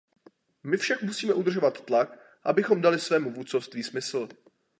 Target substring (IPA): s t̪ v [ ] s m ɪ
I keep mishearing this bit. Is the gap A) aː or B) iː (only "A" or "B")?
B